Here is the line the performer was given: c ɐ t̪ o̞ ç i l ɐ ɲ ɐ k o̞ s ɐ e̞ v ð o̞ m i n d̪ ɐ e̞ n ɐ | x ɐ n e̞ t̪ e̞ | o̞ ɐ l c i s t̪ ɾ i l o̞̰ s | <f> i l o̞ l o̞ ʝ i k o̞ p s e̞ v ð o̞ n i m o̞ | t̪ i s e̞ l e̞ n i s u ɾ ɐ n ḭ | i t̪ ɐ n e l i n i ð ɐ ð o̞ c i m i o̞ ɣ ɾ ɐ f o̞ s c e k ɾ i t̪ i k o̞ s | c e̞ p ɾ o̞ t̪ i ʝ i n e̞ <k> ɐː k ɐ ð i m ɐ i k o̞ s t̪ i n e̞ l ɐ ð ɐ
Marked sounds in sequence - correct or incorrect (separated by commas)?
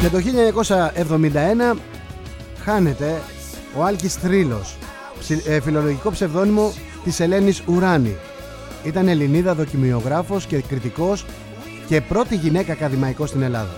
correct, correct